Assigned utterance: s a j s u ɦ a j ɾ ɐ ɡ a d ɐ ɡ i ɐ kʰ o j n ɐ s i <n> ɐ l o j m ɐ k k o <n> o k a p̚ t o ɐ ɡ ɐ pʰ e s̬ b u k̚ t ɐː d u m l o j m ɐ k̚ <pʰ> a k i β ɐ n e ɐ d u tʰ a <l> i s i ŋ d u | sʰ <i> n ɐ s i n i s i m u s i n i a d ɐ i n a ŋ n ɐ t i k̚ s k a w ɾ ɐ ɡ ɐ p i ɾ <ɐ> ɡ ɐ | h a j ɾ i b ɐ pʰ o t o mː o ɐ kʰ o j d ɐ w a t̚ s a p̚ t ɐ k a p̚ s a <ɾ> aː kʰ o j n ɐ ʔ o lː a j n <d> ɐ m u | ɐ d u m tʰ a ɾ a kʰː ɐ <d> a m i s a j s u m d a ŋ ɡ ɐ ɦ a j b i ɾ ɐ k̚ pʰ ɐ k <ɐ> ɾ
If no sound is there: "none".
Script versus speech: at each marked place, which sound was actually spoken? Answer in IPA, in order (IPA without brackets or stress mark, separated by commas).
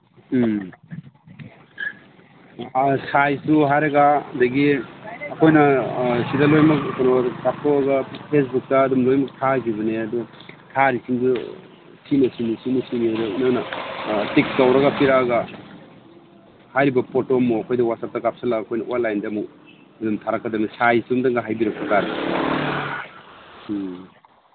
d, n, tʰ, ɾ, i, a, l, d, d, a